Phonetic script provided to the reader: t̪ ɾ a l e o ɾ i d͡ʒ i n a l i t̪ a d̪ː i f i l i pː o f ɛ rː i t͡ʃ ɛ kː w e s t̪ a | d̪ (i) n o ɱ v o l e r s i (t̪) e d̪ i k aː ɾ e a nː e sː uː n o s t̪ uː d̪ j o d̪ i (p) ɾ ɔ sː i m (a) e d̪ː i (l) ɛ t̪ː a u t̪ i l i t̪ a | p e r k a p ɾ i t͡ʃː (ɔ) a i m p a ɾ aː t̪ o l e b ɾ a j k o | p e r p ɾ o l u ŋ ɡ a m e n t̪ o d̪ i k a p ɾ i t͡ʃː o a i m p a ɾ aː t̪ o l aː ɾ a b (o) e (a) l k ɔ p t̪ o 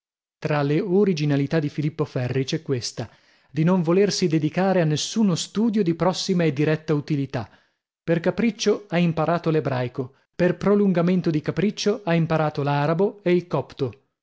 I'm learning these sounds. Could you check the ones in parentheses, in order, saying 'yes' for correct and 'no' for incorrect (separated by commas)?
yes, no, yes, yes, no, no, yes, no